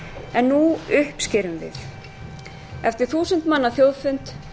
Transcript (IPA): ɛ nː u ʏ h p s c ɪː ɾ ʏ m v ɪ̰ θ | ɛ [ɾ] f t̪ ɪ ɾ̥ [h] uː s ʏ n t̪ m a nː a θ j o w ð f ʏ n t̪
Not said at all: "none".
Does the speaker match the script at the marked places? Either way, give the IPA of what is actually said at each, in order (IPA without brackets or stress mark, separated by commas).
none, θ